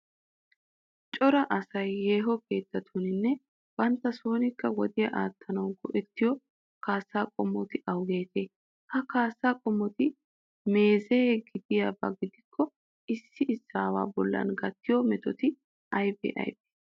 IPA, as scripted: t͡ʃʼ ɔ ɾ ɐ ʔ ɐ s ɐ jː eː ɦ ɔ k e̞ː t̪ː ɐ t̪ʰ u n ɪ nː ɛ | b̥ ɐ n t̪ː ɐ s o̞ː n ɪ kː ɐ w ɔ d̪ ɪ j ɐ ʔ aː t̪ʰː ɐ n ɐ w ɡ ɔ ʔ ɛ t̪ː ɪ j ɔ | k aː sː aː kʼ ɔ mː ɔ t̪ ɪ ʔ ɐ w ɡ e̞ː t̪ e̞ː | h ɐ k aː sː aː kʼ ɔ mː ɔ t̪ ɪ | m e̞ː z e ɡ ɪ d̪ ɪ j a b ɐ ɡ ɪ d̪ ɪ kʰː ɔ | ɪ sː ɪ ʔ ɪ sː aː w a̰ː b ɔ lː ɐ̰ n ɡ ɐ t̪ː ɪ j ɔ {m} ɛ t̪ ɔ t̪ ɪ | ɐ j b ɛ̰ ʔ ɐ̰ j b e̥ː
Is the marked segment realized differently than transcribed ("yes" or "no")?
no